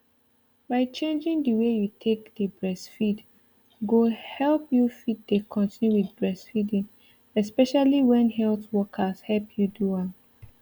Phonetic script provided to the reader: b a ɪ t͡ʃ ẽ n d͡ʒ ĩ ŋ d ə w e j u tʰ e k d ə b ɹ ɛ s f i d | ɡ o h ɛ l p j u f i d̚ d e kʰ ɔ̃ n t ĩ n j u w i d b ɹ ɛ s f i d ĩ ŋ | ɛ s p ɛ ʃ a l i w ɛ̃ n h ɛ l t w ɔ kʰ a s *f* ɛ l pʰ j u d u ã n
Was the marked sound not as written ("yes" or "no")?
yes